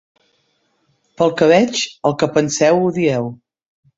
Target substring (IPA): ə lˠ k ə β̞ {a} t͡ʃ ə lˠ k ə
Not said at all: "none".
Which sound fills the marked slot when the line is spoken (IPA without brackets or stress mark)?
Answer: ɛ